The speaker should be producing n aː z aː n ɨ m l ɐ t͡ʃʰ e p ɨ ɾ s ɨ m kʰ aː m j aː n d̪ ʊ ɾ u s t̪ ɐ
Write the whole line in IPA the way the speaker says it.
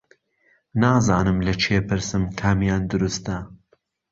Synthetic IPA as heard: n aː z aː n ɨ m l ɐ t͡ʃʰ e p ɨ ɾ s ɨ m kʰ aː m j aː n d̪ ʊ ɾ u s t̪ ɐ